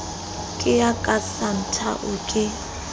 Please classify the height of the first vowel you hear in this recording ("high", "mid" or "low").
high